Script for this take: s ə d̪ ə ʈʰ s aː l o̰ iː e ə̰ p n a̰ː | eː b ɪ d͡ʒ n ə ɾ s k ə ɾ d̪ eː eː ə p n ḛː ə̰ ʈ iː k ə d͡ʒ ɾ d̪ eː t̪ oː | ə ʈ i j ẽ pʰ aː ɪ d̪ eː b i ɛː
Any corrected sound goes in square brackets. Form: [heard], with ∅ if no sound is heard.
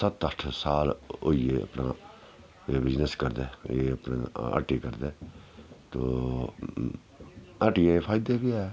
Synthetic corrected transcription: s ə [t̪] ə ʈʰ s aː l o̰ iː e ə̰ p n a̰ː | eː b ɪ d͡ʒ n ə [∅] s k ə ɾ d̪ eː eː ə p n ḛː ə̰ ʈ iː k ə [∅] ɾ d̪ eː t̪ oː | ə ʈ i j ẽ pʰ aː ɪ d̪ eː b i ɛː

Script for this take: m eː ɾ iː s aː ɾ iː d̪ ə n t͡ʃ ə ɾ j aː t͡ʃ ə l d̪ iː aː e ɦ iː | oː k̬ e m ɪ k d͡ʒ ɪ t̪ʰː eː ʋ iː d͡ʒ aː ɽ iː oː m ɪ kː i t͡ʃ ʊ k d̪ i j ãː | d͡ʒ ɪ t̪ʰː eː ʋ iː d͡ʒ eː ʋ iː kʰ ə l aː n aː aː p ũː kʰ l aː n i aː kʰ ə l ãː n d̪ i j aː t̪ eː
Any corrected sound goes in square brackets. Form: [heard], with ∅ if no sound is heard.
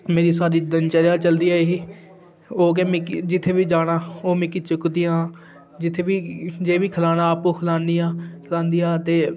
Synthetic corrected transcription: m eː ɾ iː s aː ɾ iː d̪ ə n t͡ʃ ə ɾ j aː t͡ʃ ə l d̪ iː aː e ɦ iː | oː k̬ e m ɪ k d͡ʒ ɪ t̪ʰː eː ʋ iː d͡ʒ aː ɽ [aː] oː m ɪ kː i t͡ʃ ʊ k d̪ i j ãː | d͡ʒ ɪ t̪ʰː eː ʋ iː d͡ʒ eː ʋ iː kʰ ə l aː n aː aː p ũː kʰ l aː n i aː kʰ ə l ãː n d̪ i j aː t̪ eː

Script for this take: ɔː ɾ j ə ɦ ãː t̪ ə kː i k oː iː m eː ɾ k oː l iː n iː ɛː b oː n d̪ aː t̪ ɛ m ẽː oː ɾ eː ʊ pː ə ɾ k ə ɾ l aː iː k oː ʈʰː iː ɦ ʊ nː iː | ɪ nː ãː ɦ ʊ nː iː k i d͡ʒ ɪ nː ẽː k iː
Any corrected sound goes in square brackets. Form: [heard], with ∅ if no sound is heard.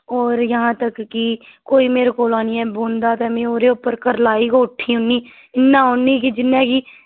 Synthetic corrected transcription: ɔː ɾ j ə ɦ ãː t̪ ə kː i k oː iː m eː ɾ k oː l [aː] n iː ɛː b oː n d̪ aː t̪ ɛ m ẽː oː ɾ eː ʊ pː ə ɾ k ə ɾ l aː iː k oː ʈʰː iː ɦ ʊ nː iː | ɪ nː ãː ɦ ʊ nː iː k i d͡ʒ ɪ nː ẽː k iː

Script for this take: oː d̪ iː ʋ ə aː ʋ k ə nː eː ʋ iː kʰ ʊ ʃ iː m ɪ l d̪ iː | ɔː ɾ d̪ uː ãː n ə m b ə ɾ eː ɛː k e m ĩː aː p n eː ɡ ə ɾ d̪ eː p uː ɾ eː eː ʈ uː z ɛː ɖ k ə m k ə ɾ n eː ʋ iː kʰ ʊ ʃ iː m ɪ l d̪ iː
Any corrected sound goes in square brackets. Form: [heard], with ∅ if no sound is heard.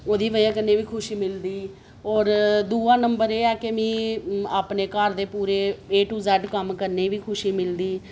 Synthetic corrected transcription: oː d̪ iː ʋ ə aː [∅] k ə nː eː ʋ iː kʰ ʊ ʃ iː m ɪ l d̪ iː | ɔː ɾ d̪ uː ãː n ə m b ə ɾ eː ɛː k e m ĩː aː p n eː [k] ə ɾ d̪ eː p uː ɾ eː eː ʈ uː z ɛː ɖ k ə m k ə ɾ n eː ʋ iː kʰ ʊ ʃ iː m ɪ l d̪ iː

